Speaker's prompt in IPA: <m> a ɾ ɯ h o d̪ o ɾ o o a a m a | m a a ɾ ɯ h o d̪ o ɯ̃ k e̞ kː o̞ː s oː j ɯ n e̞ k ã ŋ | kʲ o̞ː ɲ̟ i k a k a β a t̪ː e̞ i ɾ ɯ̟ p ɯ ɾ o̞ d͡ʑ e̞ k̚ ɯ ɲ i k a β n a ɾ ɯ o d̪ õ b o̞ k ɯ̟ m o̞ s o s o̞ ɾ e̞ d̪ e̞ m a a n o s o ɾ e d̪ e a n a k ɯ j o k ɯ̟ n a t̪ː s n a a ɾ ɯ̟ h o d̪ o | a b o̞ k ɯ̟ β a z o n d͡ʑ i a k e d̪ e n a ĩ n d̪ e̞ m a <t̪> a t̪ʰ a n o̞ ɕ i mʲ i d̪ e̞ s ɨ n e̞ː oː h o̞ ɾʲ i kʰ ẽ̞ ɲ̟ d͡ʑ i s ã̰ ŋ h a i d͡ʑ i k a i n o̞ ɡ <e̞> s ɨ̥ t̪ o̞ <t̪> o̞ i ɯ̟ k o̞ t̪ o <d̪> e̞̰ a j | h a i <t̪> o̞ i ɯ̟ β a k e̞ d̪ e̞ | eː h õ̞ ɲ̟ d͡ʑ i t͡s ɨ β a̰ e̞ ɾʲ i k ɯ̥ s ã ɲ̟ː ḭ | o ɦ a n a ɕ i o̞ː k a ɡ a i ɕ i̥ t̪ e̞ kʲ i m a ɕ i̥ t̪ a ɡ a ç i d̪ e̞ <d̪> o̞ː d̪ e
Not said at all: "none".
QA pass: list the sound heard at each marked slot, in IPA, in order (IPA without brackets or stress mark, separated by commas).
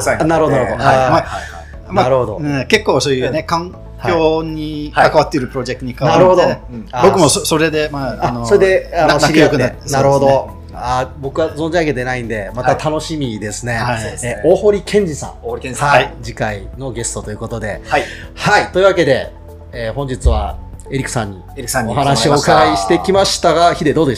n, t̪, e̞, t̪, d̪, t̪, d̪